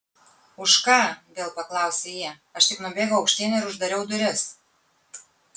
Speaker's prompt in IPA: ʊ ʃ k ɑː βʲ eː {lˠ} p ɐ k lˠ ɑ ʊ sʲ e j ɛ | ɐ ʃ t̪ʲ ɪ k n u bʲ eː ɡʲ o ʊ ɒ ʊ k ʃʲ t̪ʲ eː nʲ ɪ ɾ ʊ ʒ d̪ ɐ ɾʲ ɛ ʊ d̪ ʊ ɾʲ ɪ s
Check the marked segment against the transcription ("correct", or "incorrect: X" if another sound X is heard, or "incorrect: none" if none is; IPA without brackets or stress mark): correct